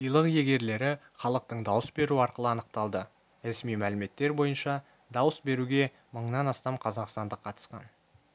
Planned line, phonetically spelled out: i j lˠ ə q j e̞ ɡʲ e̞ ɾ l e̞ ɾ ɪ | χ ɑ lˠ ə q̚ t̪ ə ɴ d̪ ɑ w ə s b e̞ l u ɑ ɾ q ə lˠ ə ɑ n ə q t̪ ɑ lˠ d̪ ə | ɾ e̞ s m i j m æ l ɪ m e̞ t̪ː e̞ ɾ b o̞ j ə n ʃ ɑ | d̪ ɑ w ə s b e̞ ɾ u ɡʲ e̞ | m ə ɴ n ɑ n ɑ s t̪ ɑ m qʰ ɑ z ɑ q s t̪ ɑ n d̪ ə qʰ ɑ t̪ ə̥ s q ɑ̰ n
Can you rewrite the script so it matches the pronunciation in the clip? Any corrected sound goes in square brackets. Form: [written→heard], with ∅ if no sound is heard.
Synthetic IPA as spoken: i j lˠ ə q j e̞ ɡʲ e̞ ɾ l e̞ ɾ ɪ | χ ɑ lˠ ə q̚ t̪ ə ɴ d̪ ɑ w ə s b e̞ [l→ɾ] u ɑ ɾ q ə lˠ ə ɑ n ə q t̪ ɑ lˠ d̪ ə | ɾ e̞ s m i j m æ l ɪ m e̞ t̪ː e̞ ɾ b o̞ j ə n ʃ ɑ | d̪ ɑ w ə s b e̞ ɾ u ɡʲ e̞ | m ə ɴ n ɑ n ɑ s t̪ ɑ m qʰ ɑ z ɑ q s t̪ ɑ n d̪ ə qʰ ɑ t̪ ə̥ s q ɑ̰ n